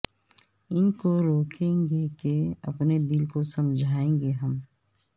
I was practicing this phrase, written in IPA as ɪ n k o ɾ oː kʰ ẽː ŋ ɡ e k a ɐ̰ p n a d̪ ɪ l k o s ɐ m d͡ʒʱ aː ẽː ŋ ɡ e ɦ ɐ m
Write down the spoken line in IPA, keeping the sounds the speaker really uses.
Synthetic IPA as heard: ɪ n k o ɾ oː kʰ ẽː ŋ ɡ e k e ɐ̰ p n e d̪ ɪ l k o s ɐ m d͡ʒʱ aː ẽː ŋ ɡ e ɦ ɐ m